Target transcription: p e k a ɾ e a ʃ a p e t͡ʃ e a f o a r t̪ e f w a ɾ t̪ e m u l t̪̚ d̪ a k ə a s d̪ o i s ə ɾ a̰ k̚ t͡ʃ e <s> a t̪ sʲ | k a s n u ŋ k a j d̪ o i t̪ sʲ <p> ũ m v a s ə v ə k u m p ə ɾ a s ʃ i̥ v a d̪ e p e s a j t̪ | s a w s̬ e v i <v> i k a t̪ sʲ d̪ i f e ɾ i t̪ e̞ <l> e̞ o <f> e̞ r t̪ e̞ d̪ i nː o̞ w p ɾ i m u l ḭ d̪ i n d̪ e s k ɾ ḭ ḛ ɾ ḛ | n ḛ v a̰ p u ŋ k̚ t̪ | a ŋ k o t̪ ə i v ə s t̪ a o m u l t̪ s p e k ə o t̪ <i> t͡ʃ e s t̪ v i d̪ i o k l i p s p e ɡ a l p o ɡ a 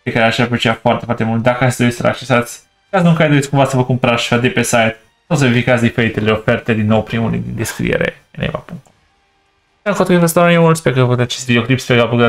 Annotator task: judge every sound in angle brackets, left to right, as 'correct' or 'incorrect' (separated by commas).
correct, incorrect, incorrect, correct, correct, incorrect